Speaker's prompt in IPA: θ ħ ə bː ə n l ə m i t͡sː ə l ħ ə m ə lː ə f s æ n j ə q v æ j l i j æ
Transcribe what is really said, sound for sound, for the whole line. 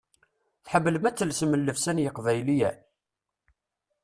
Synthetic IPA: θ ħ ə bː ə l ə m æ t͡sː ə l s ə m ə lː ə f s æ n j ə q v æ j l i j æ